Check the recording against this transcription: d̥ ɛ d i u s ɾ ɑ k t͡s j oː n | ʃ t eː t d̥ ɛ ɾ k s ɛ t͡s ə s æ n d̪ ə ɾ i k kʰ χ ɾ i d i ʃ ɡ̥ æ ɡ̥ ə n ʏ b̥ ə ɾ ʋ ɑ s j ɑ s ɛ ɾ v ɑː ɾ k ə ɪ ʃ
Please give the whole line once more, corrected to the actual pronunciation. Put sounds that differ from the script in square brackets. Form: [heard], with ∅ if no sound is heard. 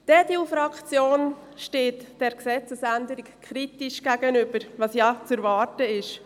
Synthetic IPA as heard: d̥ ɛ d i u [f] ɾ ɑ k t͡s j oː n | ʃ t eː t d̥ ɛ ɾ k s ɛ t͡s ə s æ n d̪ ə ɾ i k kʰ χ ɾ i [t] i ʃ ɡ̥ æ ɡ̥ ə n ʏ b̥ ə ɾ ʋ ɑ s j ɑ [t͡s] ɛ ɾ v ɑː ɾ [t] ə ɪ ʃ